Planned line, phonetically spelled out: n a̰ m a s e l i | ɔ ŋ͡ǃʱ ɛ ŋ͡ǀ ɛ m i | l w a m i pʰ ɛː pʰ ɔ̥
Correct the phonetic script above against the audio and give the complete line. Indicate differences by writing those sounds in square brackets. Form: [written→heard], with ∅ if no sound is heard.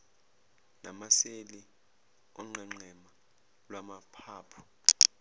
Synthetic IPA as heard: n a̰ m a s e l i | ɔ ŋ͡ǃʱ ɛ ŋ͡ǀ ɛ m [i→a] | l w a m [i→a] pʰ [ɛː→aː] pʰ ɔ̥